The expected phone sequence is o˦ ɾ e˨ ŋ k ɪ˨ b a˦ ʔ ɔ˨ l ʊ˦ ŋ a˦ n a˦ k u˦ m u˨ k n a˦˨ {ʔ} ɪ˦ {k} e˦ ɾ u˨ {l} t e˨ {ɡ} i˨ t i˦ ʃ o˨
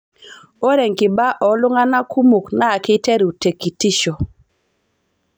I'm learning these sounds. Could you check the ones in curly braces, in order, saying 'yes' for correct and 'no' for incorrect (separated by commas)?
no, no, no, no